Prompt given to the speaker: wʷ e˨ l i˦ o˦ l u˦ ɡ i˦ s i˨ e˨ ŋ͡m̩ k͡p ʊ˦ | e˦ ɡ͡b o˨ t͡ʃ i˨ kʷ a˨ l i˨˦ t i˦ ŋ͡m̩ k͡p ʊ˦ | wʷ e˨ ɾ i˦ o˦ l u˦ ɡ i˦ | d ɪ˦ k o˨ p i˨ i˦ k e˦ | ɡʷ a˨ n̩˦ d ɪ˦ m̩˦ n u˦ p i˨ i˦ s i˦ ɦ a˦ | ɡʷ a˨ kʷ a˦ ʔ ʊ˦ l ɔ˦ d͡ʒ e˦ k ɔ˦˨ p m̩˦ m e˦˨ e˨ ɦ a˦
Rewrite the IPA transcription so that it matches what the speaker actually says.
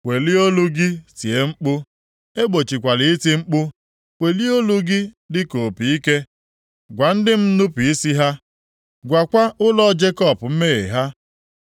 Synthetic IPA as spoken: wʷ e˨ l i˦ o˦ l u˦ ɡ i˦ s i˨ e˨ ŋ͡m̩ k͡p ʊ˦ | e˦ ɡ͡b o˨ t͡ʃ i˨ kʷ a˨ l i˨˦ t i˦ ŋ͡m̩ k͡p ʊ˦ | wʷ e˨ l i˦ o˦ l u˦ ɡ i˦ | d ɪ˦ k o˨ p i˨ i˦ k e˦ | ɡʷ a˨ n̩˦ d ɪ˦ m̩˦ n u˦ p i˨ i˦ s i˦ ɦ a˦ | ɡʷ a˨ kʷ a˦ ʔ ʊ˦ l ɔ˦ d͡ʒ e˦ k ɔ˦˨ p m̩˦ m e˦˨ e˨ ɦ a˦